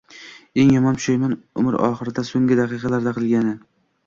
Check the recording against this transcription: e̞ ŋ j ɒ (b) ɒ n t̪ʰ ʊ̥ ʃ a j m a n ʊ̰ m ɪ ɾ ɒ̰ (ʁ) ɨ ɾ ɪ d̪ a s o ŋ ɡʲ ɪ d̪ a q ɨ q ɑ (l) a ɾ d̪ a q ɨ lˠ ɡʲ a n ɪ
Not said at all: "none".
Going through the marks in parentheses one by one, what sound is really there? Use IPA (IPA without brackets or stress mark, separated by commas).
m, χ, l